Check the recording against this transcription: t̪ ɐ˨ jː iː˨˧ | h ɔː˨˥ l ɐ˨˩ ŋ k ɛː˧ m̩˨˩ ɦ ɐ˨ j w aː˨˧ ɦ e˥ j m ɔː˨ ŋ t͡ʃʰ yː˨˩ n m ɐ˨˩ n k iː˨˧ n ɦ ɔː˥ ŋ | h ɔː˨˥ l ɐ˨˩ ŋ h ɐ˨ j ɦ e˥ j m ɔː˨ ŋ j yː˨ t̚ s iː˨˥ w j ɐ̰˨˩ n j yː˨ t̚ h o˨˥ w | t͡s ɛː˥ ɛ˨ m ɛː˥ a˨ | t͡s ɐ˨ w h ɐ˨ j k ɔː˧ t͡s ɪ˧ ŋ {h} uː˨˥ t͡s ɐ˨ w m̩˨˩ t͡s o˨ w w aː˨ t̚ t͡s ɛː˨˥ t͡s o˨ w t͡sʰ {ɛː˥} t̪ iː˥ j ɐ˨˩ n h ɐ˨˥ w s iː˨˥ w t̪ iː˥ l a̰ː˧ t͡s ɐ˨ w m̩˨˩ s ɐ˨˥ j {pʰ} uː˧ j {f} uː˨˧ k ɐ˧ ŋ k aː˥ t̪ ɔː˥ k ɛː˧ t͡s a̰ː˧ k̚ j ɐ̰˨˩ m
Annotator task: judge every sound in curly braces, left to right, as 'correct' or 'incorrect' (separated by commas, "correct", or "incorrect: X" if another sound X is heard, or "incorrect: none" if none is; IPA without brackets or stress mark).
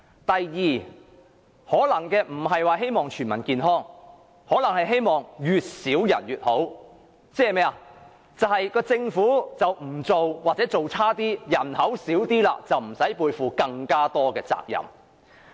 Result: incorrect: f, incorrect: aː˥, incorrect: p, correct